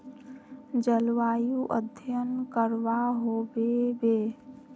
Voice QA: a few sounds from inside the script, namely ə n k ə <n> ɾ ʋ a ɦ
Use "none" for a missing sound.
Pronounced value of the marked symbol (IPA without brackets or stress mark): none